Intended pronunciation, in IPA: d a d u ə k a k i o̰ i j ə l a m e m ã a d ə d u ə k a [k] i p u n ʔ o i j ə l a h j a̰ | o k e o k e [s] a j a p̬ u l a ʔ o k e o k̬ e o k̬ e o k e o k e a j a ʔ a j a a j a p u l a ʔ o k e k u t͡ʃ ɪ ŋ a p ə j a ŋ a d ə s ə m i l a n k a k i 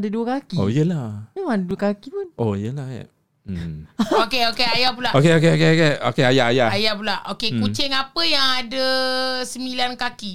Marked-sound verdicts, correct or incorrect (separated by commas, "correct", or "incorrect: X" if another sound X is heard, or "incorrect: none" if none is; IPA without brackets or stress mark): correct, incorrect: none